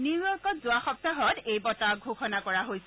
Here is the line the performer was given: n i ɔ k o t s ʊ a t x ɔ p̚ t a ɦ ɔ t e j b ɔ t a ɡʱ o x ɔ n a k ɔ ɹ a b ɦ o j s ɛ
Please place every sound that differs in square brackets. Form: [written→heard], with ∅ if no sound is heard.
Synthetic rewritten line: n i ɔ k [o→ɔ] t [s→z] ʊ a [t→∅] x ɔ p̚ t a ɦ ɔ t e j b ɔ t a ɡʱ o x ɔ n a k ɔ ɹ a [b→∅] ɦ o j s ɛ